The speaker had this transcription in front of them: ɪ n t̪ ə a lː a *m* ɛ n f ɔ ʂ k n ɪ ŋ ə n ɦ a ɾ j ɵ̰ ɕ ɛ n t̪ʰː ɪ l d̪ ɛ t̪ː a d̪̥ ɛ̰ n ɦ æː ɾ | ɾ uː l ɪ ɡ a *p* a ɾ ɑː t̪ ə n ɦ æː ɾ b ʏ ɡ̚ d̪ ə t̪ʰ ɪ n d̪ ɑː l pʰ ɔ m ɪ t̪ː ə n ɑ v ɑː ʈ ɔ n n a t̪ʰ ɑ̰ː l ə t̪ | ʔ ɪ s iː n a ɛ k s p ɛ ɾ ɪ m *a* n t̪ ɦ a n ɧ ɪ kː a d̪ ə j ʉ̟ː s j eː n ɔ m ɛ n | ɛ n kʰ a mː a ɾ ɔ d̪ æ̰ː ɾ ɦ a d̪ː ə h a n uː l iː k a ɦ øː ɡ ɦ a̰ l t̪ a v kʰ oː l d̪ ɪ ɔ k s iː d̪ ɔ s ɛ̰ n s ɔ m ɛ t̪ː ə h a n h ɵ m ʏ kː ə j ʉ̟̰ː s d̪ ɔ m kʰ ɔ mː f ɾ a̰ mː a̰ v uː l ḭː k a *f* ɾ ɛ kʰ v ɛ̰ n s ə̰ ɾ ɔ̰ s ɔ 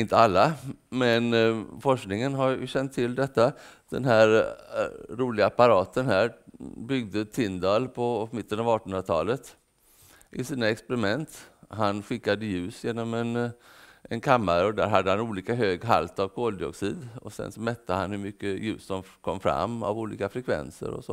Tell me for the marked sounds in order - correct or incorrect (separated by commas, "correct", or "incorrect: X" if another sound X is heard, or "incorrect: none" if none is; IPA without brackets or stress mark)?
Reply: correct, correct, incorrect: ɛ, correct